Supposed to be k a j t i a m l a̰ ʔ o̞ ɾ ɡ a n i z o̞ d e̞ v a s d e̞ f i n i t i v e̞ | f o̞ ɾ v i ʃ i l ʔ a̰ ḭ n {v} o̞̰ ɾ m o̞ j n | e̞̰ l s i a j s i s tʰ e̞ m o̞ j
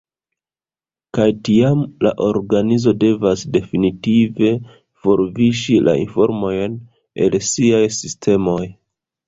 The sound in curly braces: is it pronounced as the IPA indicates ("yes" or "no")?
no